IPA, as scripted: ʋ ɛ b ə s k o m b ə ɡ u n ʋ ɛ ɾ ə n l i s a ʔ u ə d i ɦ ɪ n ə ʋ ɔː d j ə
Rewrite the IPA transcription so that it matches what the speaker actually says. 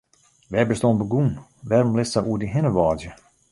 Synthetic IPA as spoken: ʋ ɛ b ə s t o n b ə ɡ u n ʋ ɛ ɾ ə m l ɪ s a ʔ u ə d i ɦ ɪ n ə ʋ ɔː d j ə